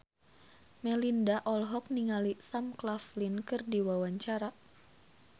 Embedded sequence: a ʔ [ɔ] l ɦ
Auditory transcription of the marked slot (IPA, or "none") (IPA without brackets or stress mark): ɔ